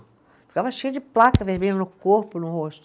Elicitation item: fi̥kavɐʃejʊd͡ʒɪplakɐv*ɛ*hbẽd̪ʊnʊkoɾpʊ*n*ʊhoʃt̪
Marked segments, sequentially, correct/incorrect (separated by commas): incorrect, correct